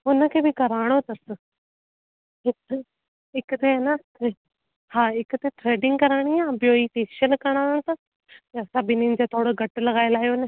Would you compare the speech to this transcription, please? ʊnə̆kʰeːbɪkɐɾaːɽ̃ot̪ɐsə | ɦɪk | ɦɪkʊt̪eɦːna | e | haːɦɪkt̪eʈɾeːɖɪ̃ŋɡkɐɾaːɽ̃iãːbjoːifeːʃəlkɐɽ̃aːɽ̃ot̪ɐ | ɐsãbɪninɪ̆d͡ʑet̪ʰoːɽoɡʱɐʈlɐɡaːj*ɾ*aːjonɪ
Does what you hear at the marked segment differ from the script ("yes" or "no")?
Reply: yes